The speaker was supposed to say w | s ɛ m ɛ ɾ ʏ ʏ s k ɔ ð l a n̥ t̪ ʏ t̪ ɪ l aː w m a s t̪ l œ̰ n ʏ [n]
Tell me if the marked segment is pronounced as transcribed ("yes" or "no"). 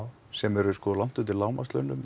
no